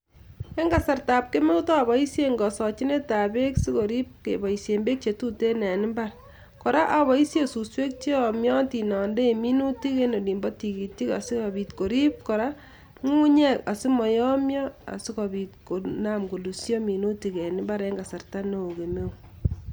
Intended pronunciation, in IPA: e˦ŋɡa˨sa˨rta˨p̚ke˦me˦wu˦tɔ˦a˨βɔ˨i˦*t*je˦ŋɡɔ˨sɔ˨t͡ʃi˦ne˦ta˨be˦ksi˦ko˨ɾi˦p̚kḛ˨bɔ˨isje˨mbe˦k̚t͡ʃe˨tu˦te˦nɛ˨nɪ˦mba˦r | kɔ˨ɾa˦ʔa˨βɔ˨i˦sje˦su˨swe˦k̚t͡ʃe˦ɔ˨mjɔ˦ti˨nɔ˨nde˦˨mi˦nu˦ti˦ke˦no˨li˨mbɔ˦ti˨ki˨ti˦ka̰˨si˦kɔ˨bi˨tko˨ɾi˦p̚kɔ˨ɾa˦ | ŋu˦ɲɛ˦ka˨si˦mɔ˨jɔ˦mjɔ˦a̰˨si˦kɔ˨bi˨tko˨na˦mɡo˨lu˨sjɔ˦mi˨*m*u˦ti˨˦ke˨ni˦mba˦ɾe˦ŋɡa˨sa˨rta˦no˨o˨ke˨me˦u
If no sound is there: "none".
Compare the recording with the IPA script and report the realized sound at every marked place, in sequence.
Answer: s, n

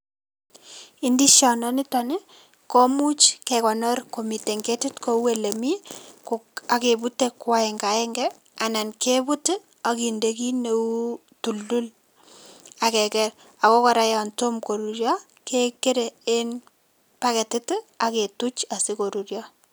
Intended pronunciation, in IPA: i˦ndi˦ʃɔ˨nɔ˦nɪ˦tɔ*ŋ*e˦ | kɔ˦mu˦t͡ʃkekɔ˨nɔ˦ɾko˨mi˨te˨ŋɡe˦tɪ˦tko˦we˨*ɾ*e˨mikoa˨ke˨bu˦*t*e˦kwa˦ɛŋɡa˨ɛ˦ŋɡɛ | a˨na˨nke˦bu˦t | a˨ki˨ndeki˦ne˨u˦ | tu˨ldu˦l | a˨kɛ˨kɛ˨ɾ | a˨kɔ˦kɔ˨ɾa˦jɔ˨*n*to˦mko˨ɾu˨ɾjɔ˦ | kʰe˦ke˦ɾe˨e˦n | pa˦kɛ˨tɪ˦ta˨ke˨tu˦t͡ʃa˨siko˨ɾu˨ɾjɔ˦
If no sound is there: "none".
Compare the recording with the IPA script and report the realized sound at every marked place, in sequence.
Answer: n, l, t, n

